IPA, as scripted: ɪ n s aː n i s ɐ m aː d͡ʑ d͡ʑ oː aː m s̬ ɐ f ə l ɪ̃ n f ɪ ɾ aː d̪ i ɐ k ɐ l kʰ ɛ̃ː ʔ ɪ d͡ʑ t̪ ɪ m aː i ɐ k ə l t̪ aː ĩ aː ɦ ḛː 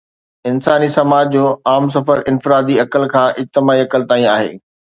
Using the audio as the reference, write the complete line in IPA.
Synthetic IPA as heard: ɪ n s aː n i s ɐ m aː d͡ʑ d͡ʑ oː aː m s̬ ɐ f ə ɾ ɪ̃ n f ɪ ɾ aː d̪ i ɐ k ə l kʰ ãː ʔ ɪ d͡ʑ t̪ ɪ m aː i ɐ k ə l t̪ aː ĩ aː ɦ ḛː